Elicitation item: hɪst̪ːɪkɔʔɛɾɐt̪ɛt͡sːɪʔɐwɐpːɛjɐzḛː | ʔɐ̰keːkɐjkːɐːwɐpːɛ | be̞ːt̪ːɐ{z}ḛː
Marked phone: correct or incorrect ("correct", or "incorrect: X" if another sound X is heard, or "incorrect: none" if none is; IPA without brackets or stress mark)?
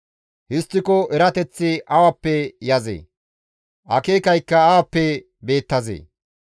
correct